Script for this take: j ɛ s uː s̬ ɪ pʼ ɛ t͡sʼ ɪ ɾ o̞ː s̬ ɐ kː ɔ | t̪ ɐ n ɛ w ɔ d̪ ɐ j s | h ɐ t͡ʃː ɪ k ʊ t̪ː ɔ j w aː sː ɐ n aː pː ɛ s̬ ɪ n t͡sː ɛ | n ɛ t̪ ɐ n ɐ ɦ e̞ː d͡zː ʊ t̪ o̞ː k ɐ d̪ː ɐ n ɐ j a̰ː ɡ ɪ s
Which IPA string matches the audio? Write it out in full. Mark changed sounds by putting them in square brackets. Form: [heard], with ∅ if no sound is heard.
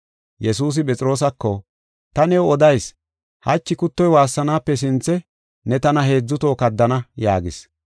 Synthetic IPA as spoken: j ɛ s uː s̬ ɪ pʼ ɛ t͡sʼ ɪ ɾ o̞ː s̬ ɐ kː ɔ | t̪ ɐ n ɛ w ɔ d̪ ɐ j s | h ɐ t͡ʃː ɪ k ʊ t̪ː ɔ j w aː sː ɐ n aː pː ɛ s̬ ɪ n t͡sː ɛ | n ɛ t̪ ɐ n ɐ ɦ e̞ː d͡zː ʊ t̪ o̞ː k ɐ d̪ː ɐ n ɐ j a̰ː ɡ ɪ s